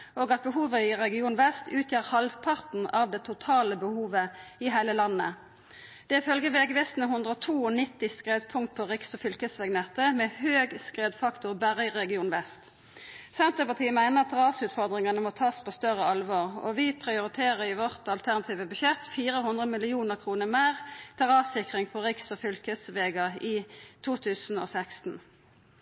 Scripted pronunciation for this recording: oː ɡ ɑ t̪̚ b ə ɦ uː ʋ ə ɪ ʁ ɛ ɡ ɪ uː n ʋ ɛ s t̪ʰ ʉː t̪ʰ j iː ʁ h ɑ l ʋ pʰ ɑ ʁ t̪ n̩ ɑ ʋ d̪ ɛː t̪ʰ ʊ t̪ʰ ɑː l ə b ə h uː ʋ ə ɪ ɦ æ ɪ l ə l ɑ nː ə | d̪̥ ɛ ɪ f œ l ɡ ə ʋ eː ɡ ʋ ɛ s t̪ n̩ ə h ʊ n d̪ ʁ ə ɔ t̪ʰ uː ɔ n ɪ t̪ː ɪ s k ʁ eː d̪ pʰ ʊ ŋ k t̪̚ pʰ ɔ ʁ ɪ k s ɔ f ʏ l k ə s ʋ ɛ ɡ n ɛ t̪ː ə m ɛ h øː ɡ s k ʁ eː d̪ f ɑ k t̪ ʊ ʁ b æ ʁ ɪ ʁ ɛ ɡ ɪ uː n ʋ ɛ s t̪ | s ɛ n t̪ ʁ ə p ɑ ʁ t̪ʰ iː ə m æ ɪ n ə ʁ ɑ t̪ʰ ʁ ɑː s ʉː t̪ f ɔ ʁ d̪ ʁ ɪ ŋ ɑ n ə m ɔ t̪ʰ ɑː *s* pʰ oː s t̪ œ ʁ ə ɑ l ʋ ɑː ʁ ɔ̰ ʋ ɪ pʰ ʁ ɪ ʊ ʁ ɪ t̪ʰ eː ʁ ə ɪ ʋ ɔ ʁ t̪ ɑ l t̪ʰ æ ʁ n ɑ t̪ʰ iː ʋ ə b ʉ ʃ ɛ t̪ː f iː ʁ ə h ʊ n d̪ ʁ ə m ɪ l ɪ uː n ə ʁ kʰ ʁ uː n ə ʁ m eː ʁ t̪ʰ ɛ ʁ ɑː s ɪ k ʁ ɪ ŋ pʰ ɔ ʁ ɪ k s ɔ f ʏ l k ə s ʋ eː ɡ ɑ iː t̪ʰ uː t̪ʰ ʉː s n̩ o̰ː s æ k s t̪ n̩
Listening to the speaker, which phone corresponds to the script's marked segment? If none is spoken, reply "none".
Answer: s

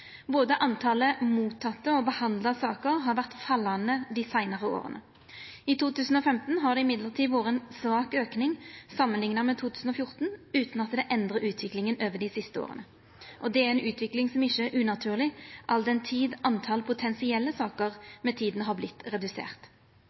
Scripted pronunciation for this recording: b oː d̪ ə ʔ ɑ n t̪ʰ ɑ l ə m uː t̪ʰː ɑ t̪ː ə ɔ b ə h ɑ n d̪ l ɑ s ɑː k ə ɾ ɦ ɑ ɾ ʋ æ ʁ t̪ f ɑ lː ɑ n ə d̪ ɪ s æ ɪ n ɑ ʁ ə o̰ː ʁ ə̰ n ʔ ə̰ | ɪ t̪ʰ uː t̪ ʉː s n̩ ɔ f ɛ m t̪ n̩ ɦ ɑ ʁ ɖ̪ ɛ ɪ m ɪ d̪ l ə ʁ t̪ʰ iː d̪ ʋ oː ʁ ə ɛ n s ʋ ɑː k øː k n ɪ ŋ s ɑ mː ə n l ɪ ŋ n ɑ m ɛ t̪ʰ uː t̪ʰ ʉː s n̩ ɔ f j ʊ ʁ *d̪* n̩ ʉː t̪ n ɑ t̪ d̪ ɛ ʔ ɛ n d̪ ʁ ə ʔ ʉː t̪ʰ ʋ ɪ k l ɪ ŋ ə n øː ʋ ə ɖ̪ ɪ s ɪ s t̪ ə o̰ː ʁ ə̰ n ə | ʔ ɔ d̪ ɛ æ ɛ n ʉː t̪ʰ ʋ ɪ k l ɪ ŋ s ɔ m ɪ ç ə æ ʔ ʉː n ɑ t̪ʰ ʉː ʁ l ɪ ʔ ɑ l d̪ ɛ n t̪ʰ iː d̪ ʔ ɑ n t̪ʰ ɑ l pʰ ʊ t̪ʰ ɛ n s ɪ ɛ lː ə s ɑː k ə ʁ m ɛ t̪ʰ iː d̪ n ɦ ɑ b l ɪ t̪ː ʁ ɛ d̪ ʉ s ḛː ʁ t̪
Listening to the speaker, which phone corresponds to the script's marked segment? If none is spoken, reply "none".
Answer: t̪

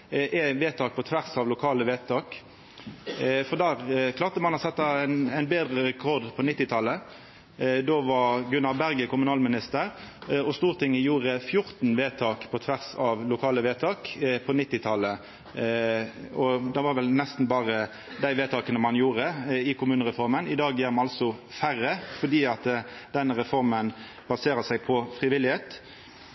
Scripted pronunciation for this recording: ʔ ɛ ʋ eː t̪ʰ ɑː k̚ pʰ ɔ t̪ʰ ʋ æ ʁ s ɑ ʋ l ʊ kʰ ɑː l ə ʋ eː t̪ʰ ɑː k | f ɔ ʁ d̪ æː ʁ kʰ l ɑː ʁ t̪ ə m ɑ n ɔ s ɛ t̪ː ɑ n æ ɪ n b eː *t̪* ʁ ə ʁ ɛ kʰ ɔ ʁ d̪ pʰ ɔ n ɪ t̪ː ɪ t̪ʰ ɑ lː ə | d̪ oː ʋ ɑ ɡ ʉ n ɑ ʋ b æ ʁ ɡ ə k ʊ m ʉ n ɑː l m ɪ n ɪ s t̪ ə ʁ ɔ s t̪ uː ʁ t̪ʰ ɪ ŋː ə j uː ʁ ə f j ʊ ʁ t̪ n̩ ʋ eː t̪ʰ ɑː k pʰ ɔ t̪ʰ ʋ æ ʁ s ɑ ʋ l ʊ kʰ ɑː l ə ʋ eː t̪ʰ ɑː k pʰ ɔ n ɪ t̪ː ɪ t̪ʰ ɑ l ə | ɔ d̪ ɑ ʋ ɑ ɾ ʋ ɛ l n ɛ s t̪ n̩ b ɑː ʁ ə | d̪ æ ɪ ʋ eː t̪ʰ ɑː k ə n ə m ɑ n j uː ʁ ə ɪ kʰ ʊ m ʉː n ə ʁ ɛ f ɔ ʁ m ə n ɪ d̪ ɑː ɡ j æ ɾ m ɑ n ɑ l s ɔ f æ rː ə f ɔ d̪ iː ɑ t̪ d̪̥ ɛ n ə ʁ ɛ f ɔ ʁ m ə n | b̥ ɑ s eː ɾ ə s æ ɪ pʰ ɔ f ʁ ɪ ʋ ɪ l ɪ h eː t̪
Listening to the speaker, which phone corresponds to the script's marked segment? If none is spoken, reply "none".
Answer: d̪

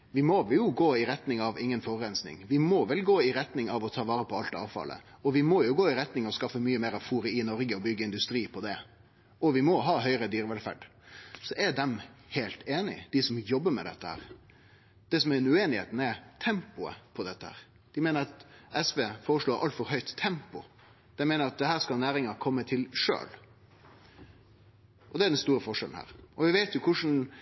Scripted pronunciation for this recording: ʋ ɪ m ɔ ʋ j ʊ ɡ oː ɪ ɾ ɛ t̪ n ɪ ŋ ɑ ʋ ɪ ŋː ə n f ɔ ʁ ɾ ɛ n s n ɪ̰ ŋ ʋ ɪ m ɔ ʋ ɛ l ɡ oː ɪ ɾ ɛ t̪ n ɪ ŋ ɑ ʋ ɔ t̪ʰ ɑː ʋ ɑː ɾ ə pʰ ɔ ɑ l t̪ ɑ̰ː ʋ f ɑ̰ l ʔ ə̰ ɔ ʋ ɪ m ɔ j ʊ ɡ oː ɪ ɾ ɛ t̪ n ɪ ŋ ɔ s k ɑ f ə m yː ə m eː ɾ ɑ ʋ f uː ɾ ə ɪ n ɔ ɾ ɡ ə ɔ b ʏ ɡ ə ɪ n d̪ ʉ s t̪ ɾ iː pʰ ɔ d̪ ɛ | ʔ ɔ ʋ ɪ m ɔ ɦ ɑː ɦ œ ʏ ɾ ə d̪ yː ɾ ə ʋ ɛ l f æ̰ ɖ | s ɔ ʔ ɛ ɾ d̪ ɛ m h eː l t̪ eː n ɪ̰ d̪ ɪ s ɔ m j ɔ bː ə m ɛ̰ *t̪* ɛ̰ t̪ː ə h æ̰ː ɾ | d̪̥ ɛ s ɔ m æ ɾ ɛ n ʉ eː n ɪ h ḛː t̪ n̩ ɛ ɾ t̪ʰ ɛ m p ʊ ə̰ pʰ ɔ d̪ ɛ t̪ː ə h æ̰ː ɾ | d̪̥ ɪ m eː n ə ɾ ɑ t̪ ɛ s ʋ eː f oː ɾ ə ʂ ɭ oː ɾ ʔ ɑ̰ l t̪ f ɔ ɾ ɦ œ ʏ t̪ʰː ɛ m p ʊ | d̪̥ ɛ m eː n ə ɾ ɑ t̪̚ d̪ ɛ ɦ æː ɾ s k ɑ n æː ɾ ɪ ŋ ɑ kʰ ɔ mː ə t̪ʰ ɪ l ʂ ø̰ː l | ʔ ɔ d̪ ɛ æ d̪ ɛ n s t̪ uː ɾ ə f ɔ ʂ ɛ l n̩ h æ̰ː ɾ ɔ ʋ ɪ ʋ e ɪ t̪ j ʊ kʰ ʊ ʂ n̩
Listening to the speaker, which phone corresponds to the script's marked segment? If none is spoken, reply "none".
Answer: d̪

